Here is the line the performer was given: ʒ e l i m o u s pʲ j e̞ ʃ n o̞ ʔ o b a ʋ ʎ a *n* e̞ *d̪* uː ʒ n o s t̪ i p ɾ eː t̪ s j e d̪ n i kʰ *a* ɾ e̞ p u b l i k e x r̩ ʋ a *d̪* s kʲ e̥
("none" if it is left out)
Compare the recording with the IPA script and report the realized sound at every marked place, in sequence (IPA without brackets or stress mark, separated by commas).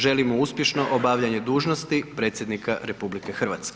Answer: ɲ, d̪, a, t̪